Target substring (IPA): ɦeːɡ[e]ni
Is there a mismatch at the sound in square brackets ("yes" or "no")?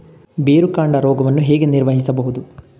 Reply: no